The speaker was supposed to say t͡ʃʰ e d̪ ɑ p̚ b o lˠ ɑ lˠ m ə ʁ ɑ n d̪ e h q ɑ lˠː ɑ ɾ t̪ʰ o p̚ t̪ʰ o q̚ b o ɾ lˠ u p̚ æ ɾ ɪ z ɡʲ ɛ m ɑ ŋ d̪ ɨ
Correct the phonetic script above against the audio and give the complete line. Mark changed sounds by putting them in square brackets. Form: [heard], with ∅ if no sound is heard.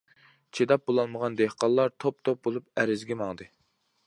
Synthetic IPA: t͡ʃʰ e d̪ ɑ p̚ b o lˠ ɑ lˠ m ə ʁ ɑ n d̪ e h q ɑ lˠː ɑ ɾ t̪ʰ o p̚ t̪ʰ o [p̚] b o [∅] lˠ u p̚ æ ɾ ɪ z ɡʲ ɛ m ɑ ŋ d̪ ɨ